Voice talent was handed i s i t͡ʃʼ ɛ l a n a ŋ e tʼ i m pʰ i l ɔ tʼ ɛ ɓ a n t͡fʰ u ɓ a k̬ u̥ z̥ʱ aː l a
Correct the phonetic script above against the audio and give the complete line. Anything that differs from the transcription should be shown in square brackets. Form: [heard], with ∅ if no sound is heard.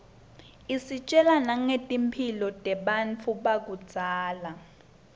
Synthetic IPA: i s i t͡ʃʼ ɛ l a n a ŋ e tʼ i m pʰ i l ɔ tʼ ɛ ɓ a n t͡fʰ u ɓ a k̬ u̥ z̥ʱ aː l a